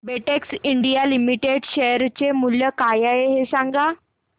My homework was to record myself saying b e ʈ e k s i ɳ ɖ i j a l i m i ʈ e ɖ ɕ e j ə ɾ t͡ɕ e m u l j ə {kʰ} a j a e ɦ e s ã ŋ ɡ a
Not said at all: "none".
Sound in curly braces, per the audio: k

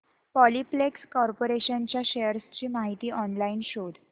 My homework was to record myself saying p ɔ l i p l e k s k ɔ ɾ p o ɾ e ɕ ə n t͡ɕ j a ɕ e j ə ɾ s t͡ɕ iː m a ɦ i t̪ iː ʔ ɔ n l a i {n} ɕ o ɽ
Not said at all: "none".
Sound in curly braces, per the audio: n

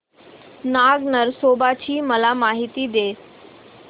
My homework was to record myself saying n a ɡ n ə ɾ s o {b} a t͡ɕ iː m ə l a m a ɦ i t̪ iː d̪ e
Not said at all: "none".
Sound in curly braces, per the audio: b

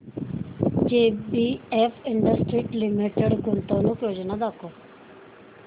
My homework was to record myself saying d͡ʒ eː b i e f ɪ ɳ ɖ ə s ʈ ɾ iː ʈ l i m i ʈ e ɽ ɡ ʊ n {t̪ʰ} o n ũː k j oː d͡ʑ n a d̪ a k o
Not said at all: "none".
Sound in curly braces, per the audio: t̪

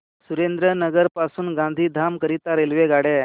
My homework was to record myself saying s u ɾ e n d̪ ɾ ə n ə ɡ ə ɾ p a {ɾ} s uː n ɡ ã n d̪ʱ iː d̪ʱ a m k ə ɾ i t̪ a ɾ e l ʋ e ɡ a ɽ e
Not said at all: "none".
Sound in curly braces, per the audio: none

